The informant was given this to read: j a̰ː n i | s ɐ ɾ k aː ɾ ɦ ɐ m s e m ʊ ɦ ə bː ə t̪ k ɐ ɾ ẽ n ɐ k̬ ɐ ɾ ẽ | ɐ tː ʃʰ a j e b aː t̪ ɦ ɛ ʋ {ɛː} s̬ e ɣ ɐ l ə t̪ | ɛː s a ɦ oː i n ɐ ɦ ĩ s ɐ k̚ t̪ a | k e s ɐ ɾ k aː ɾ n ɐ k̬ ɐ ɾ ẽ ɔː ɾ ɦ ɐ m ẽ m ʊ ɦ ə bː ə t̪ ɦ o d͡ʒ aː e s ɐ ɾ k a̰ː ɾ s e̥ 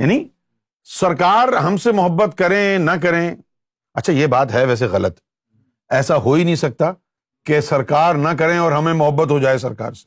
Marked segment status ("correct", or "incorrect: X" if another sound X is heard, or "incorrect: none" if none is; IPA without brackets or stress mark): correct